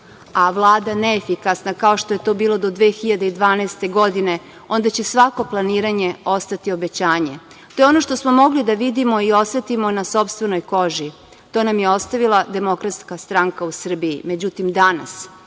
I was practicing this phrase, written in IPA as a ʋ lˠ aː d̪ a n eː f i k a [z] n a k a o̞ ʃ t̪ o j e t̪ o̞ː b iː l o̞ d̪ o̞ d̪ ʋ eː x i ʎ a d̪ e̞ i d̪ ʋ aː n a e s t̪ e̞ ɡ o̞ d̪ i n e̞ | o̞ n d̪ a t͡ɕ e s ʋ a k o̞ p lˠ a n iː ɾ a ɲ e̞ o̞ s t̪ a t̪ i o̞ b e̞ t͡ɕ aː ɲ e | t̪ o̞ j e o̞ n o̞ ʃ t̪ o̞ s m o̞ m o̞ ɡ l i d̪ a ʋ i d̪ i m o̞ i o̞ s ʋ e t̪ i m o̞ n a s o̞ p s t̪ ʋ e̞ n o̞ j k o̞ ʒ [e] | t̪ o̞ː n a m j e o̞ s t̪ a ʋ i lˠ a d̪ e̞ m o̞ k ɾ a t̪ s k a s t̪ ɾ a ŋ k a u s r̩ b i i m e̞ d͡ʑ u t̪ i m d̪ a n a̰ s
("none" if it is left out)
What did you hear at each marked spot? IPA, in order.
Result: s, i

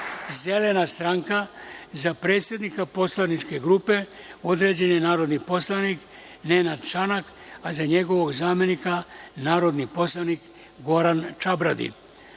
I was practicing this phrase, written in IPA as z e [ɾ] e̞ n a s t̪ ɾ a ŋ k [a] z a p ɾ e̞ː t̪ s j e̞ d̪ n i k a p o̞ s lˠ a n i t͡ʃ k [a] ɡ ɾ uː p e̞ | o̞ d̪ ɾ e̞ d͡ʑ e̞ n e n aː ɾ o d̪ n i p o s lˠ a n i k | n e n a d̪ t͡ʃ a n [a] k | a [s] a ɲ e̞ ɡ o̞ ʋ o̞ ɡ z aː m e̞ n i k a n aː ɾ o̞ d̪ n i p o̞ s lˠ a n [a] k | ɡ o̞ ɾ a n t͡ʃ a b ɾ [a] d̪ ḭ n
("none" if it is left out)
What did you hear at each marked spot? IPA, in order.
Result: l, a, e, a, z, i, a

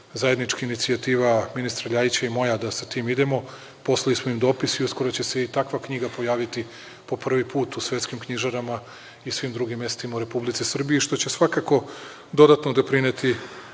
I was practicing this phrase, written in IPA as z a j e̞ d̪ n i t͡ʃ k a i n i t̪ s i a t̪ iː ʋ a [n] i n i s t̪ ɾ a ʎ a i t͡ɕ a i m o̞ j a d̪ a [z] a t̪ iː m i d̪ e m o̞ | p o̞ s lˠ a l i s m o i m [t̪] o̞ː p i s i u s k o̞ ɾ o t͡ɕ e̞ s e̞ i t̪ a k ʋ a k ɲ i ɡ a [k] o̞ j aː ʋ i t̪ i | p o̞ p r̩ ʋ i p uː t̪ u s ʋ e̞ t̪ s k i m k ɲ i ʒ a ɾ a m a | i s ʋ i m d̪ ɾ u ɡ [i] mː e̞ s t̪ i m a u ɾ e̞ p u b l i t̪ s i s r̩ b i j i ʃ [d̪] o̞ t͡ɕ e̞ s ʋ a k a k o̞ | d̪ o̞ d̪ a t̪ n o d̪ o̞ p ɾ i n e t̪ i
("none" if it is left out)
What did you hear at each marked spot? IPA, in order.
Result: m, s, d̪, p, i, t̪

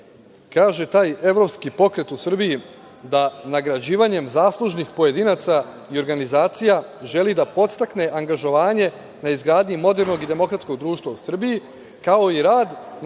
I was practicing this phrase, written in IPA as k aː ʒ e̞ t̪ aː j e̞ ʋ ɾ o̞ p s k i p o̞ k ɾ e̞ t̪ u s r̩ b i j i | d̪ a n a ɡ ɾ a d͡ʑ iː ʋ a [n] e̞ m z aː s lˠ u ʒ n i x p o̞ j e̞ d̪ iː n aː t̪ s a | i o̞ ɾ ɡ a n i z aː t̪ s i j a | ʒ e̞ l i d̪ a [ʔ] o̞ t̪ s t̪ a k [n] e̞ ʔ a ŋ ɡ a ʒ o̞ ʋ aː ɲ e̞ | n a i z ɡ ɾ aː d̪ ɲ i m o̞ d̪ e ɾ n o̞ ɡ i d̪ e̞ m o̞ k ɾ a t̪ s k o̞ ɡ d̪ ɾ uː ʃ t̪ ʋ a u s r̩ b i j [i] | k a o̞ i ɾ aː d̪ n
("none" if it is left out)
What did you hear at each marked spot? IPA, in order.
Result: ɲ, p, n, i

